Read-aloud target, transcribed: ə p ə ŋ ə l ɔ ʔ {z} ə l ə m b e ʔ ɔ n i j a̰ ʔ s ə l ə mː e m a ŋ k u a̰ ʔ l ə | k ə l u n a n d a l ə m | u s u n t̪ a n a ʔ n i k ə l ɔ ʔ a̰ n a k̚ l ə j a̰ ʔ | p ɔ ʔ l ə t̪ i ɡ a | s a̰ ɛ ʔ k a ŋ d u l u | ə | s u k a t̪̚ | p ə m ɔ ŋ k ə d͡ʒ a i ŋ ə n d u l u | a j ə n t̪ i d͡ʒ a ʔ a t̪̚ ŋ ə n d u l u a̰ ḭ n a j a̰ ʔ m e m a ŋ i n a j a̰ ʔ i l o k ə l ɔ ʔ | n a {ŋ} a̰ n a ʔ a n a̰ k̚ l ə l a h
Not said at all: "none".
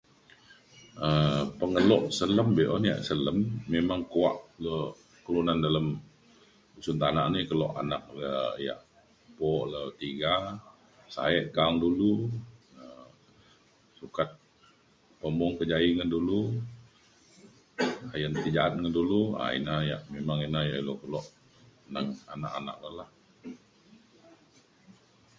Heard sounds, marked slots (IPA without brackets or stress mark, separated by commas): s, ŋ